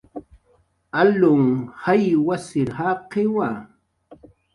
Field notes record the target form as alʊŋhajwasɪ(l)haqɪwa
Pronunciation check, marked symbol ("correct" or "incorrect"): incorrect